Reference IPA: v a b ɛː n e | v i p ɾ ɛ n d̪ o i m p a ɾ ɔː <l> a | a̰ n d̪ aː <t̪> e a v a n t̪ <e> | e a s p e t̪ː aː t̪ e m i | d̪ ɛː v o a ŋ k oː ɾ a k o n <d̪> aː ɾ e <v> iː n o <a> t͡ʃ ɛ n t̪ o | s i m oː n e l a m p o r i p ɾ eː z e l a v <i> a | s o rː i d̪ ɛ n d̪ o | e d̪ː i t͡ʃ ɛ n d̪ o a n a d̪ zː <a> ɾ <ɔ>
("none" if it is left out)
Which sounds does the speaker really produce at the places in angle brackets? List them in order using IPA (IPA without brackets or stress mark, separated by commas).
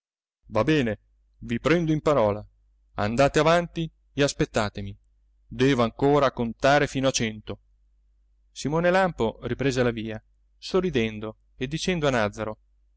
l, t̪, i, t̪, f, a, iː, a, o